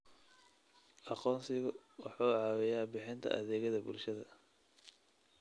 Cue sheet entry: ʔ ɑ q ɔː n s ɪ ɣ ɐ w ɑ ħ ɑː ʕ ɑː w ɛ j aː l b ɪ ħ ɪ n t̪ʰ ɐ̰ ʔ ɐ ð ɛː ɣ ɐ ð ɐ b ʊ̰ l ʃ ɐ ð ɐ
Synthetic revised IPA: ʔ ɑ q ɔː n s ɪ ɣ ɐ w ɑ ħ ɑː ʕ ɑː w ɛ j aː b ɪ ħ ɪ n t̪ʰ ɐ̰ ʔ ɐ ð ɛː ɣ ɐ ð ɐ b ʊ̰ l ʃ ɐ ð ɐ